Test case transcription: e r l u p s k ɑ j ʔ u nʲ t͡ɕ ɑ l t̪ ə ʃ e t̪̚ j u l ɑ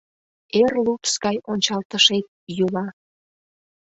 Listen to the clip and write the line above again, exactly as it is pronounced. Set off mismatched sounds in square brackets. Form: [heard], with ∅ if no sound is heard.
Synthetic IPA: e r l u p s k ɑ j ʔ [o] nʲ t͡ɕ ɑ l t̪ ə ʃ e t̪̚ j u l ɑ